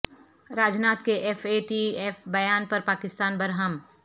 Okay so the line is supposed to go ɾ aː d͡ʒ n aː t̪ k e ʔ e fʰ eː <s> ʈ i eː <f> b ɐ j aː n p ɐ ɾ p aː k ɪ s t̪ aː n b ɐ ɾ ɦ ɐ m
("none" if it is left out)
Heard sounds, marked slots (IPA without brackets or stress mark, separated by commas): none, f